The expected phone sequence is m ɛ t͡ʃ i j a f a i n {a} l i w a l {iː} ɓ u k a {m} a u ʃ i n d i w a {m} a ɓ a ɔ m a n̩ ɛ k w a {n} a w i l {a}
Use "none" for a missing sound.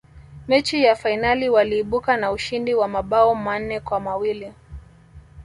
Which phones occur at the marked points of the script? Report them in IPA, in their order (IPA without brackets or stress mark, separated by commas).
a, iː, n, m, m, i